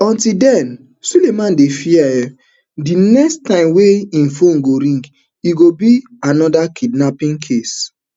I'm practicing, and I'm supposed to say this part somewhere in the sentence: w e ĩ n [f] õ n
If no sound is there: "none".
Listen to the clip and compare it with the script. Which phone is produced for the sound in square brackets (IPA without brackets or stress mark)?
f